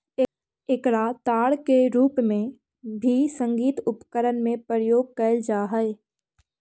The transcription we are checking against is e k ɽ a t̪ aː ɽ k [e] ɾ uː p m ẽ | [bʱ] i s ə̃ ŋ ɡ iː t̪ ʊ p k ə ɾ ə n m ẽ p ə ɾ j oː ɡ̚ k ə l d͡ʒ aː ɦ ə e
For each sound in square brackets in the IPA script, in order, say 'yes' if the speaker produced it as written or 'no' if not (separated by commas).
yes, yes